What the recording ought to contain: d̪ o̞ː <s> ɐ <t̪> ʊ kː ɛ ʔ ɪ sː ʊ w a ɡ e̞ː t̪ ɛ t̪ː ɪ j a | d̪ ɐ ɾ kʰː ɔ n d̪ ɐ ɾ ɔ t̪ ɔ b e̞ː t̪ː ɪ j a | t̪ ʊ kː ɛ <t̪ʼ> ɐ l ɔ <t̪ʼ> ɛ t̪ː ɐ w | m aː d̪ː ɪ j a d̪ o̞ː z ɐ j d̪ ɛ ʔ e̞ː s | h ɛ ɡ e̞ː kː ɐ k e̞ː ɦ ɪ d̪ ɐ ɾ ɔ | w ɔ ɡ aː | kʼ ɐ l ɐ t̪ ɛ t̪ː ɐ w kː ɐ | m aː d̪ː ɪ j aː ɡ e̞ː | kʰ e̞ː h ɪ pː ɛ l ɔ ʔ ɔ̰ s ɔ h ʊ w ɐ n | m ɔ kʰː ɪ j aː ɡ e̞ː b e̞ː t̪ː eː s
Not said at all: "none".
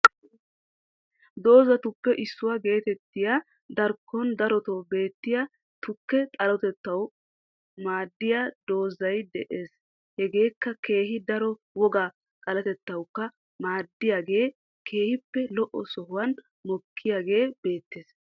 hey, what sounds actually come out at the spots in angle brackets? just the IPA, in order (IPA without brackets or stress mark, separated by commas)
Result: z, t̪, t̪ʼ, t̪